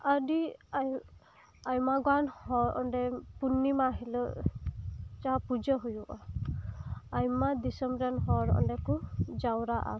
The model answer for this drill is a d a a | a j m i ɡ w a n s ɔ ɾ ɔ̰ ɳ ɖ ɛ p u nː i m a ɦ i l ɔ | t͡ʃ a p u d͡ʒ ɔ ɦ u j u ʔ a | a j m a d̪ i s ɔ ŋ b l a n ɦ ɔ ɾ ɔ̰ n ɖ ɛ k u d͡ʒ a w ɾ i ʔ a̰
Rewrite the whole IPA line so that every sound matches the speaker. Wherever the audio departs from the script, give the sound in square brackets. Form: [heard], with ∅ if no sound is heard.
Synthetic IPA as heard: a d [i] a | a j m [a] ɡ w a n [h] ɔ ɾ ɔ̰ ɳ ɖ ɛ p u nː i m a ɦ i l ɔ | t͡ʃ a p u d͡ʒ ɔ ɦ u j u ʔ a | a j m a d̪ i s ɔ [m] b [ɾ] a n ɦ ɔ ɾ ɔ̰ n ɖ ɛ k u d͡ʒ a w ɾ [a] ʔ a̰